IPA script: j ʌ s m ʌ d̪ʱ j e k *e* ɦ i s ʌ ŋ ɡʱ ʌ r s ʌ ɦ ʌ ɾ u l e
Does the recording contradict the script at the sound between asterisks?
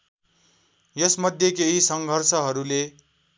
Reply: no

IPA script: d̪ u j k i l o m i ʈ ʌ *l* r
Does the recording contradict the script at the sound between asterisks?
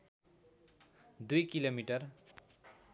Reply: yes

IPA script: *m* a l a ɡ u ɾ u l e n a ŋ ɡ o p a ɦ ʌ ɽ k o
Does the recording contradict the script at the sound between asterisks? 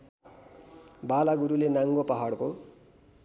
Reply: yes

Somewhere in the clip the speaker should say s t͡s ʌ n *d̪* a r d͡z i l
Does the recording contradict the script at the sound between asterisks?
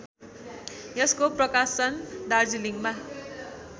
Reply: no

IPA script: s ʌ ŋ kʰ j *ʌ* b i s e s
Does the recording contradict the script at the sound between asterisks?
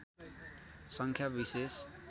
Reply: yes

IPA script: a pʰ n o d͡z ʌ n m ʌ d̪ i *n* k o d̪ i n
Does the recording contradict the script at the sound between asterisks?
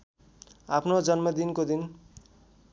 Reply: no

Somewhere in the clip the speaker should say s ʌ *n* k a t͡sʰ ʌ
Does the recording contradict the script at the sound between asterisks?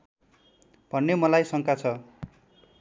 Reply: yes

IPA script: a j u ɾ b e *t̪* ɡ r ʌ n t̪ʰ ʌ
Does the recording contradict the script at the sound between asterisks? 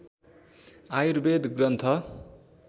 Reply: yes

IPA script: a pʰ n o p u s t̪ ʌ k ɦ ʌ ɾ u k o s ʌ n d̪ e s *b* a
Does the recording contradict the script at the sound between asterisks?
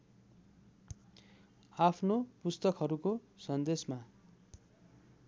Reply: yes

